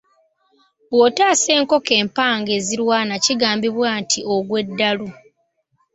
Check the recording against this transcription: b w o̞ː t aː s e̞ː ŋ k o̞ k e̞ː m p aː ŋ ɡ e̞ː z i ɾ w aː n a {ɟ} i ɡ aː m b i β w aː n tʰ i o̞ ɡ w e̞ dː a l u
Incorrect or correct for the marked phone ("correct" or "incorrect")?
incorrect